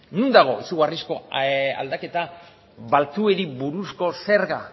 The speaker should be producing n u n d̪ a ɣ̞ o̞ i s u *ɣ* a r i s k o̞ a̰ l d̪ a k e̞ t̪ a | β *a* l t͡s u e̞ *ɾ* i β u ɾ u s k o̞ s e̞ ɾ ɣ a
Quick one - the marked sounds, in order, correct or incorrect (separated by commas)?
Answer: correct, correct, correct